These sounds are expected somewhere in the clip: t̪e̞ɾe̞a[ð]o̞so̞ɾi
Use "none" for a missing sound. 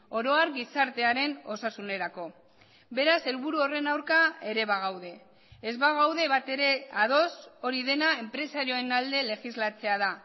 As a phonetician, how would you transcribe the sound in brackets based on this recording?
ð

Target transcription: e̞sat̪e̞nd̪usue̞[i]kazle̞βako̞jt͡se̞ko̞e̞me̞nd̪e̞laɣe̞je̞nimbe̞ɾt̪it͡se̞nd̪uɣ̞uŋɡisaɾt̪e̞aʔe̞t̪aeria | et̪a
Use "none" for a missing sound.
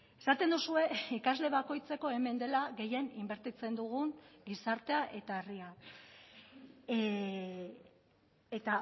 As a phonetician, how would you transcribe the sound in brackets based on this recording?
i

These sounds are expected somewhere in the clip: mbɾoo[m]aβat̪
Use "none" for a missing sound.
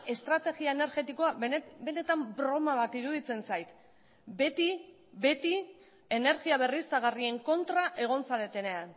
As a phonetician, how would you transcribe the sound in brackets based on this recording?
m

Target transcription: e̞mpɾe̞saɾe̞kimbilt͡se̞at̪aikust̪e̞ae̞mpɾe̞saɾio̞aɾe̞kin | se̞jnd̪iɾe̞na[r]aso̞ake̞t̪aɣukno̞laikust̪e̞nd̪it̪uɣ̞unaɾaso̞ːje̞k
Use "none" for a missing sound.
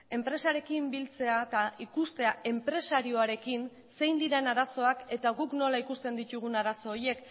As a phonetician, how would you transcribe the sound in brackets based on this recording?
ɾ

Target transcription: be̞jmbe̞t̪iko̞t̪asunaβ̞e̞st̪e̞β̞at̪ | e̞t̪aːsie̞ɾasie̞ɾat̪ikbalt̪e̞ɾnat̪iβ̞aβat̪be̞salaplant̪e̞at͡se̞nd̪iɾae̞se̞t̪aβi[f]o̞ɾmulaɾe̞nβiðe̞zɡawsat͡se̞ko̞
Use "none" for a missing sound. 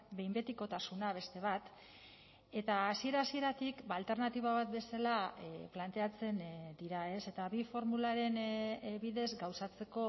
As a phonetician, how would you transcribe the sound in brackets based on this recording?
f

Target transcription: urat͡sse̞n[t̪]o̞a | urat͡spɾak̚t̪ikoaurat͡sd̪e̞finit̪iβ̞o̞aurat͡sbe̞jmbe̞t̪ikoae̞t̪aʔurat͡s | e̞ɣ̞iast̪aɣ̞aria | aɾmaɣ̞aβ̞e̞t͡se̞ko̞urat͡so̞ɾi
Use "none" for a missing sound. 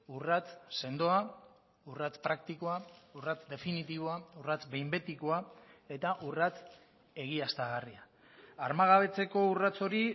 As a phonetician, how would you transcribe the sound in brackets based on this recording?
d̪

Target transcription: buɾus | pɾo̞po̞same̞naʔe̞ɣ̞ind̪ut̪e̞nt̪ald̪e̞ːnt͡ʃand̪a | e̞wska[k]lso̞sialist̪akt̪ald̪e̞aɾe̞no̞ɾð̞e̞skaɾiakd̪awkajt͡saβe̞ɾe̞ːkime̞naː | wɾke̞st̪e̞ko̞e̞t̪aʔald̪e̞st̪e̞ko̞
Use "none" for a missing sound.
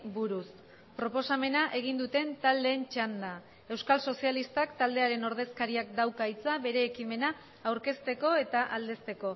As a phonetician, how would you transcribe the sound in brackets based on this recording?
none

